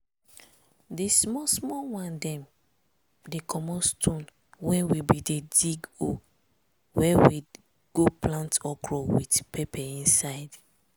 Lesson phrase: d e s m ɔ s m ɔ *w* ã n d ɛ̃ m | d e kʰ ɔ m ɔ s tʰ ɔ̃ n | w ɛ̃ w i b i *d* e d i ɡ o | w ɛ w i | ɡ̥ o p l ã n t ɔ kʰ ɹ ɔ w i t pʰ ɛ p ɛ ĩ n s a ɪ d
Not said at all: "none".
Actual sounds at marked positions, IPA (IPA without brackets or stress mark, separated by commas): w, d